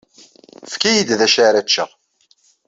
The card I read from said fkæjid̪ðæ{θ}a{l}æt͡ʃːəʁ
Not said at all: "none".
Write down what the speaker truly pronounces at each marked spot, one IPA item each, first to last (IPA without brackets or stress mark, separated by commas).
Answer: ʃ, ɾ